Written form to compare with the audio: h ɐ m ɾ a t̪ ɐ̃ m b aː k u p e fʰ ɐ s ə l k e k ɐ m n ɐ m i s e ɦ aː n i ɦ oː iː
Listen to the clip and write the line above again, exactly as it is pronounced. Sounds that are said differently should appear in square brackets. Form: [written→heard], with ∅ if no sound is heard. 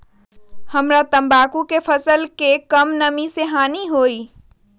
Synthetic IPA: h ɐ m ɾ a t̪ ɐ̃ m b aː k u [p→k] e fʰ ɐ s ə l k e k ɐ m n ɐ m i s e ɦ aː n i ɦ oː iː